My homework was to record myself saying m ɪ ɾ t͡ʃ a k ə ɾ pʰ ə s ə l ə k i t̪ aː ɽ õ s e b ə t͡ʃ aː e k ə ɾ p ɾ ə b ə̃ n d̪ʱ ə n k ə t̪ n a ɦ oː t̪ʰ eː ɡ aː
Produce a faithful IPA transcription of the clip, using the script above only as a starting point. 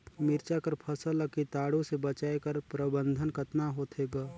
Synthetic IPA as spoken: m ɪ ɾ t͡ʃ a k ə ɾ pʰ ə s ə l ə k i t̪ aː ɽ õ s e b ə t͡ʃ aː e k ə ɾ p ɾ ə b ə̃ n d̪ʱ ə n k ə t̪ n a ɦ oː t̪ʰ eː ɡ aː